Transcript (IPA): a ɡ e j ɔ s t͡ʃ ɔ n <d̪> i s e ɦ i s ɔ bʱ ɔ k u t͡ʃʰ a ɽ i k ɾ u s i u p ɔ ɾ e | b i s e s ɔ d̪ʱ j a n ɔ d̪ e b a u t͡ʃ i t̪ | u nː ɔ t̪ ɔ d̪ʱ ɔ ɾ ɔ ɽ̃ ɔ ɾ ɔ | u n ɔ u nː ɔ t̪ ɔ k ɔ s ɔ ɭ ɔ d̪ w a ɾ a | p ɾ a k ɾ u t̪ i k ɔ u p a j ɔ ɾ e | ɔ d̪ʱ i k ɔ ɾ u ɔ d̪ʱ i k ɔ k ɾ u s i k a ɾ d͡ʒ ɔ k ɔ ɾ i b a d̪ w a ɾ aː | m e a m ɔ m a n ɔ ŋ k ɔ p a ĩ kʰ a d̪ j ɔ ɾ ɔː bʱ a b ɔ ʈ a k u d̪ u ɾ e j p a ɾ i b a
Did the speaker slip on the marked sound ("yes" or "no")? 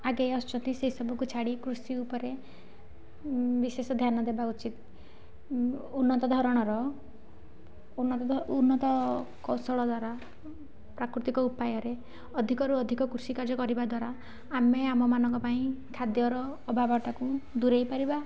yes